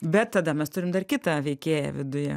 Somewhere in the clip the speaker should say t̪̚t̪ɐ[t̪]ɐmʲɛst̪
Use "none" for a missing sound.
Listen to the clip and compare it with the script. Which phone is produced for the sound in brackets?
d̪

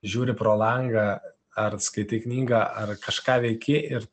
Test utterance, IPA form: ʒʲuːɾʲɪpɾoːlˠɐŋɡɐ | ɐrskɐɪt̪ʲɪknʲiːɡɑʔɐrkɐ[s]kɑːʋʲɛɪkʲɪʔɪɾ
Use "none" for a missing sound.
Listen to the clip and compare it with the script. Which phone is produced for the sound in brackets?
ʃ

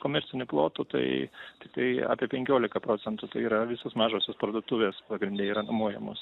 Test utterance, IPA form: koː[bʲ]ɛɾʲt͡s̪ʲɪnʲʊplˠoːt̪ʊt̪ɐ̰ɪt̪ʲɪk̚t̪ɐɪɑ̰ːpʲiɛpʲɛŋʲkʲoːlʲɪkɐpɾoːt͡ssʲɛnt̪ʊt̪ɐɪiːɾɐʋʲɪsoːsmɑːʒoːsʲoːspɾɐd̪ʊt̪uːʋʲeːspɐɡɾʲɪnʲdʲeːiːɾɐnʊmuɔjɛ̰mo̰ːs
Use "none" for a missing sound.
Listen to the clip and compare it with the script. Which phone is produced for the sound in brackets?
mʲ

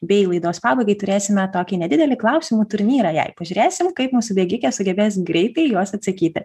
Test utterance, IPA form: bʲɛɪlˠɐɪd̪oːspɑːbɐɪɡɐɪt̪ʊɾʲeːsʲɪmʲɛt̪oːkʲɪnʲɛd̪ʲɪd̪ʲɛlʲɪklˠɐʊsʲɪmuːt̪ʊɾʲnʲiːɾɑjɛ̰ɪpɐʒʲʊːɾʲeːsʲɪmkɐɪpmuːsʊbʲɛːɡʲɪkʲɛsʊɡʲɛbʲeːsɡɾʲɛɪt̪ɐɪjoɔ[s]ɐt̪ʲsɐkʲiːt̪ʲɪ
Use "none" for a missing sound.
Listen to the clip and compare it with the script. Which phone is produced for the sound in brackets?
s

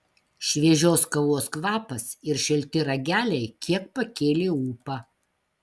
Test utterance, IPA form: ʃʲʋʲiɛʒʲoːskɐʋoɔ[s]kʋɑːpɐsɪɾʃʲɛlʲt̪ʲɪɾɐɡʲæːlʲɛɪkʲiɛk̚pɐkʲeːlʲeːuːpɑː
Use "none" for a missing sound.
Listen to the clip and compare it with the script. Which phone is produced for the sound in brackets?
s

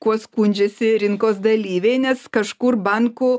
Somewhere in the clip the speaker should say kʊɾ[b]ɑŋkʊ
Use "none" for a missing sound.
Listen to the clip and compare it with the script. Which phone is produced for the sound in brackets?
b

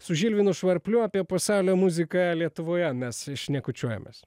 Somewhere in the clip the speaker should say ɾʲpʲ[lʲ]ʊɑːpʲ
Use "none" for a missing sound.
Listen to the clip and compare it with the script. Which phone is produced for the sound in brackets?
lʲ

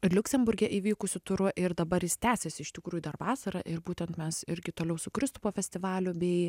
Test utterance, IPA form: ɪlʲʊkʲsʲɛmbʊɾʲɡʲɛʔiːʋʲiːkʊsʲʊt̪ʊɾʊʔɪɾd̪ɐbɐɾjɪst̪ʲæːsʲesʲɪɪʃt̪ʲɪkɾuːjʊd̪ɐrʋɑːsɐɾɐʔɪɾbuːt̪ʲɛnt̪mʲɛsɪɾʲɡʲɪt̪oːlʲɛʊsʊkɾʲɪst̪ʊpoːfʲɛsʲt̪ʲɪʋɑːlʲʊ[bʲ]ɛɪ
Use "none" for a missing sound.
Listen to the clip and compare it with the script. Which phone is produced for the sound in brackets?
bʲ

